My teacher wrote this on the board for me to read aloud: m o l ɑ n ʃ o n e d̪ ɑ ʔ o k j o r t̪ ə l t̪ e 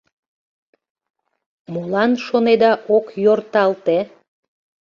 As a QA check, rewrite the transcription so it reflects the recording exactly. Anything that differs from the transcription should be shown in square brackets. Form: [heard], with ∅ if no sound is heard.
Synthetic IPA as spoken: m o l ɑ n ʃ o n e d̪ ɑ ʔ o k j o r t̪ [ɑ] l t̪ e